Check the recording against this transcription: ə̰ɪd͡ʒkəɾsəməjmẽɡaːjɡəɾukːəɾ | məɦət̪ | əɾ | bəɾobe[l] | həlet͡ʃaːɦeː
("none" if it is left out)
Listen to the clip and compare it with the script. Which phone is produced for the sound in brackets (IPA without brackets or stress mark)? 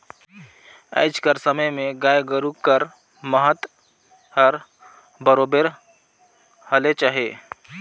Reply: ɾ